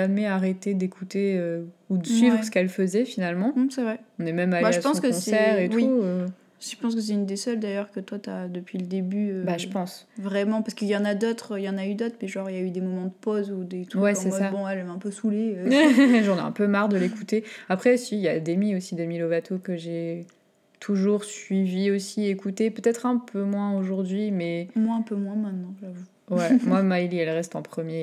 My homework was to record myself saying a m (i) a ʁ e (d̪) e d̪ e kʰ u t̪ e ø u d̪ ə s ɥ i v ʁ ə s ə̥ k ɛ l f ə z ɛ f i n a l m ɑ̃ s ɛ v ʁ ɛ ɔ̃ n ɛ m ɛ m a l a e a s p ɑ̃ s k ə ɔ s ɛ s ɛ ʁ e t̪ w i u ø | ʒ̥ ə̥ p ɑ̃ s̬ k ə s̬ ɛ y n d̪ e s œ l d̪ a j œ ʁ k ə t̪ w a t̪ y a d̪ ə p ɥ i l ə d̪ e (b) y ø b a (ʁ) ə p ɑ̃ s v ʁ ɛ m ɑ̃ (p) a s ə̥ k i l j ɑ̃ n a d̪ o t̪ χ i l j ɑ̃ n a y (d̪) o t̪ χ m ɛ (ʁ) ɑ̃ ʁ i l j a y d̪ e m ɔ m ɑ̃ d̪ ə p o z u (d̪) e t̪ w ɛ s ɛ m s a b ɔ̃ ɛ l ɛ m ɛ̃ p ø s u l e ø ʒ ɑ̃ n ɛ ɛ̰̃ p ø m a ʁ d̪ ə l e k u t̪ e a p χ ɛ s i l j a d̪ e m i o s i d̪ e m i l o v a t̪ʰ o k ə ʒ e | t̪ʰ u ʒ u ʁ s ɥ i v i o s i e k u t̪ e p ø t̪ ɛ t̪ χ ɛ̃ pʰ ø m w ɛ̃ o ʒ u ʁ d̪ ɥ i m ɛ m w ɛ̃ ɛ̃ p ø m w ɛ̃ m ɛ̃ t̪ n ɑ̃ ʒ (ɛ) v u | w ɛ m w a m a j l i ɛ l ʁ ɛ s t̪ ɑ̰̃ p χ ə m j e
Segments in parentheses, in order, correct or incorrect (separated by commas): incorrect, incorrect, correct, incorrect, correct, correct, incorrect, correct, incorrect